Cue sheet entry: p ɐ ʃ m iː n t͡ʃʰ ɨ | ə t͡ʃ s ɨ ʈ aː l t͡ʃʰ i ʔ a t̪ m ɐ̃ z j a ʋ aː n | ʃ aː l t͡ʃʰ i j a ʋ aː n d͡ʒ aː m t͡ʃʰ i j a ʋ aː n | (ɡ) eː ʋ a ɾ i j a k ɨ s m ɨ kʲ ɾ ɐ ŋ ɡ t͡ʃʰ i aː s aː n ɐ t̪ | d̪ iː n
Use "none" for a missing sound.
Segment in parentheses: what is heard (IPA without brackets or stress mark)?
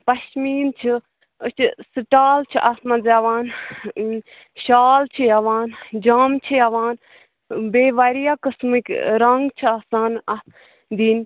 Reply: b